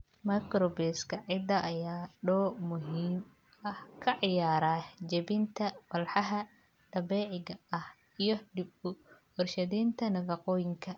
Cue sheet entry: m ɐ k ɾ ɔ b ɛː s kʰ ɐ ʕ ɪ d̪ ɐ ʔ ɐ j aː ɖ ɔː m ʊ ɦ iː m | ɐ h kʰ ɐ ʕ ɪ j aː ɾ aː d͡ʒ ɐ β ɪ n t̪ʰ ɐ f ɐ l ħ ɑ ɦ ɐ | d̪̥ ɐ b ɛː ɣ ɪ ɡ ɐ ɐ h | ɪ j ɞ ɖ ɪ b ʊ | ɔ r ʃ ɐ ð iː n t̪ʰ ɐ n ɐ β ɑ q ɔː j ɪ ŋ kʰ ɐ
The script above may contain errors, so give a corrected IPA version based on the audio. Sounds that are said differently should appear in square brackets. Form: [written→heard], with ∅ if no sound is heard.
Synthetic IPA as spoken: m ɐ k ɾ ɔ b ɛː s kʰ ɐ ʕ ɪ d̪ ɐ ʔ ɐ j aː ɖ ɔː m ʊ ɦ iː m | ɐ h kʰ ɐ ʕ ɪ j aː ɾ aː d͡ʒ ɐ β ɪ n t̪ʰ ɐ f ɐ l ħ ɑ ɦ ɐ | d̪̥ ɐ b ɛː [ɣ→ʕ] ɪ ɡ ɐ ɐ h | [ɪ→i] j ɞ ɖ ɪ b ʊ | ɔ r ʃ ɐ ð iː n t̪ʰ ɐ n ɐ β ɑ q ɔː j ɪ ŋ kʰ ɐ